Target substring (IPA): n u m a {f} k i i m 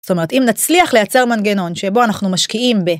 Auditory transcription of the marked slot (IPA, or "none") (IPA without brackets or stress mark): ʃ